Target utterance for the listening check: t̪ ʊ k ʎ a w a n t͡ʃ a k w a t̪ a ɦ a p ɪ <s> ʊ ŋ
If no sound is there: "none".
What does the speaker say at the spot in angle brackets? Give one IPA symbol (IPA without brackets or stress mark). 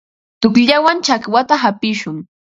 ʃ